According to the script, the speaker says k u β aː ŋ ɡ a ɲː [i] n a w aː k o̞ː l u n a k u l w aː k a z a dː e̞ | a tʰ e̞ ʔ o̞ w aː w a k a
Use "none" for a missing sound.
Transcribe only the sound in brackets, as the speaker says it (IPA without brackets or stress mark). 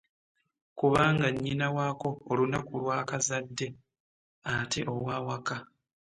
i